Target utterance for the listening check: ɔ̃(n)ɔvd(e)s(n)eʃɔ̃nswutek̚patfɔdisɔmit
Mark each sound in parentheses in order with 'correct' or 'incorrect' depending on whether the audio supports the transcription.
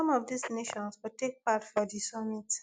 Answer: incorrect: m, incorrect: i, correct

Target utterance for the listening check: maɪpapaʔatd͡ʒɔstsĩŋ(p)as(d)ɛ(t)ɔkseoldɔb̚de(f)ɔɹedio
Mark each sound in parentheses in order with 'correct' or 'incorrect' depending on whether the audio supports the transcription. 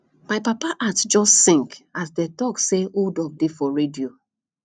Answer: incorrect: k, correct, correct, correct

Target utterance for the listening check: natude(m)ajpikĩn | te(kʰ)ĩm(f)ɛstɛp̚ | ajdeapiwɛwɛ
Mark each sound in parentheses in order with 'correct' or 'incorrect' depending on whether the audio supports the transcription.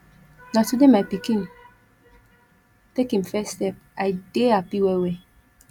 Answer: correct, incorrect: k, correct

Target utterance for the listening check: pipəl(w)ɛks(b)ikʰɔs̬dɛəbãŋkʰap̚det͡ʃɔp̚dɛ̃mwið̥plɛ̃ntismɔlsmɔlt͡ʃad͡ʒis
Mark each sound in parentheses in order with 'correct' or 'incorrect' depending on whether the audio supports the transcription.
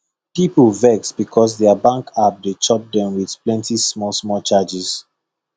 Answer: incorrect: v, correct

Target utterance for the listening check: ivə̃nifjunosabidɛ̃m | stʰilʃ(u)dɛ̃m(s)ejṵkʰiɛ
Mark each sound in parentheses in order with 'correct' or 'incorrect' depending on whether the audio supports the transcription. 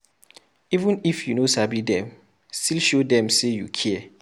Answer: incorrect: o, correct

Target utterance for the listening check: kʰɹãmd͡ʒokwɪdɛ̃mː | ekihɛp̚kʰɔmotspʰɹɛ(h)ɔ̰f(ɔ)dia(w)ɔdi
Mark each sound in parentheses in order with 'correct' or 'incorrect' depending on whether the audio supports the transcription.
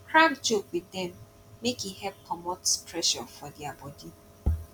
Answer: incorrect: ʃ, correct, incorrect: b

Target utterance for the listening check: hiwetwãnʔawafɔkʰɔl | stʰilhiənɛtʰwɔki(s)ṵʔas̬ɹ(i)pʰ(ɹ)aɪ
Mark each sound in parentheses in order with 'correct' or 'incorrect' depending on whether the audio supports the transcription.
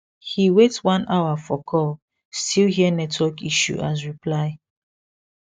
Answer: incorrect: ʃ, correct, incorrect: l

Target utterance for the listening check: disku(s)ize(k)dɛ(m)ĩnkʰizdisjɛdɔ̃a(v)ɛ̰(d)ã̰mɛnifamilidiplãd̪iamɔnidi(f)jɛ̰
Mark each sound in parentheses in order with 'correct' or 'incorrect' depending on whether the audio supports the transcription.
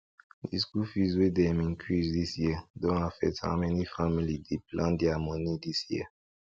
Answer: incorrect: f, incorrect: none, correct, incorrect: f, incorrect: t, incorrect: s

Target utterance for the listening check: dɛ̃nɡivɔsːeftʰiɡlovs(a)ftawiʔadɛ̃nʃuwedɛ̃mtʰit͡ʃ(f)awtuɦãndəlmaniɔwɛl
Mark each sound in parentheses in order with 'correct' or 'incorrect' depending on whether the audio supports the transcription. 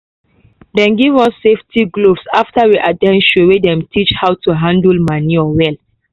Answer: correct, incorrect: h

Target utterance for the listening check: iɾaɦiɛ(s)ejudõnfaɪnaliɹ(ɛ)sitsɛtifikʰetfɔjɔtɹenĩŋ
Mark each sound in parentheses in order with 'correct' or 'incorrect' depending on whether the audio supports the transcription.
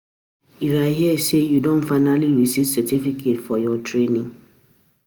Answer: correct, incorrect: i

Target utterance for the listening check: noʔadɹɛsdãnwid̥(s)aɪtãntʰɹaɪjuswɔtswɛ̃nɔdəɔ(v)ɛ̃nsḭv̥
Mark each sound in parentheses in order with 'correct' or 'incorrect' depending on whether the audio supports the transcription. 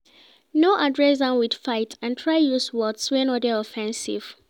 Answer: incorrect: f, incorrect: f

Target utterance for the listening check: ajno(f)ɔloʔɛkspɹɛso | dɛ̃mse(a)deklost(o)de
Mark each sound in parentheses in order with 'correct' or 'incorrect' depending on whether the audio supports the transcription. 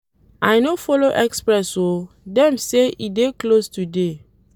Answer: correct, incorrect: i, incorrect: u

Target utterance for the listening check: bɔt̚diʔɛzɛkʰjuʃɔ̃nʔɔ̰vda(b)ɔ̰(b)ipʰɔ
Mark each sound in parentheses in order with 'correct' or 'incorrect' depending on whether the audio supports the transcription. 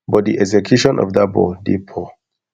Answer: correct, incorrect: d

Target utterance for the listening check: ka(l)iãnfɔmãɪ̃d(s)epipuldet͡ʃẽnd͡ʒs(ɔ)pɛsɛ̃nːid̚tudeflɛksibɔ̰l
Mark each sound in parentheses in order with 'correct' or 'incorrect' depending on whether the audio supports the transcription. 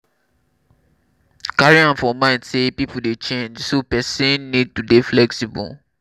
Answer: incorrect: ɹ, correct, incorrect: o

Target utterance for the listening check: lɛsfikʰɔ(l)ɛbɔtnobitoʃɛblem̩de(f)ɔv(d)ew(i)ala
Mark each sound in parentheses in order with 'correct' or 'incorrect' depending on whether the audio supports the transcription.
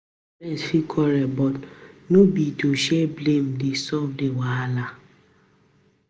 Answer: incorrect: ɾ, incorrect: s, correct, incorrect: a

